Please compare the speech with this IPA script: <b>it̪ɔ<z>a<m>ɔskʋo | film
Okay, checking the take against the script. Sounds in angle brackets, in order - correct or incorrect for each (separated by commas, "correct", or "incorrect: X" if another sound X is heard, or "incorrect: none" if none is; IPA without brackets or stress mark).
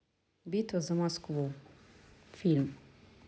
correct, correct, correct